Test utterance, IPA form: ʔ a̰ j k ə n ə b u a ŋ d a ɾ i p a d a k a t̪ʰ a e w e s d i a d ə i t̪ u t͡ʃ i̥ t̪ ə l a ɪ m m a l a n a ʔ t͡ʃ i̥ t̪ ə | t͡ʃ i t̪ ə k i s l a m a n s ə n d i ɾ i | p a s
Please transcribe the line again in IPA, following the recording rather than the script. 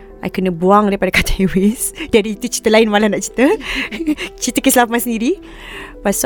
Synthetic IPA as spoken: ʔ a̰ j k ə n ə b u a ŋ d a ɾ i p a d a k a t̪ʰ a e w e s d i a d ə i t̪ u t͡ʃ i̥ t̪ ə l a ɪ n m a l a n a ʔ t͡ʃ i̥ t̪ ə | t͡ʃ i t̪ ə k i s l a m a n s ə n d i ɾ i | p a s